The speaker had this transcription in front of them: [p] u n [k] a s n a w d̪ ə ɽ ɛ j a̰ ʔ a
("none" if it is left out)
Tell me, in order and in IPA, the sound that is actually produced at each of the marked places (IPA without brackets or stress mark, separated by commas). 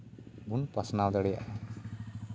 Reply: b, p